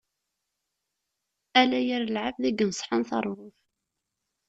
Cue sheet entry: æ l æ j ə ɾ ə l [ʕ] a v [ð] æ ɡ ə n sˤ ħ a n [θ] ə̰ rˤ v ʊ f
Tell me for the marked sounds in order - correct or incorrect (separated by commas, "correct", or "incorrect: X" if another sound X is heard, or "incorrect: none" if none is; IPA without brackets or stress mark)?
correct, correct, correct